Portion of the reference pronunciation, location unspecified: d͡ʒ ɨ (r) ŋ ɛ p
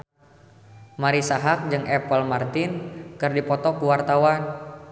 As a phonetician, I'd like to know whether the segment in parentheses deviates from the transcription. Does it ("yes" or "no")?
yes